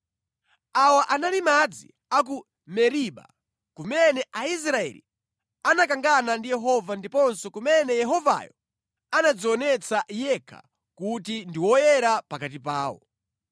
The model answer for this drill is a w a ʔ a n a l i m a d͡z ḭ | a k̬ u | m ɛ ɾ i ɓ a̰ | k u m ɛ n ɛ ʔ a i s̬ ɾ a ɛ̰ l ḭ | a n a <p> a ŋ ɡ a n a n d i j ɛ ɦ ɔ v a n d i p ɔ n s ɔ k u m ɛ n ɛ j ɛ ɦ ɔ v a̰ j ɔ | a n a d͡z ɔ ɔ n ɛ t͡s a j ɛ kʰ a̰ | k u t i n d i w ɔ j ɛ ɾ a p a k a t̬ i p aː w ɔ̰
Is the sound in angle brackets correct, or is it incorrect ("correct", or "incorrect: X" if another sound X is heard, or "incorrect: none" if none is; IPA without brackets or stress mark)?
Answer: incorrect: k